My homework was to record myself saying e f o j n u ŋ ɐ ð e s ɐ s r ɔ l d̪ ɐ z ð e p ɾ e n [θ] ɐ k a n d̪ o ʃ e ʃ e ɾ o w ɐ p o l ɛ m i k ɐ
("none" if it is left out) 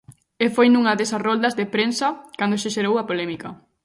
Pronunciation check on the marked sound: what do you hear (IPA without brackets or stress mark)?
s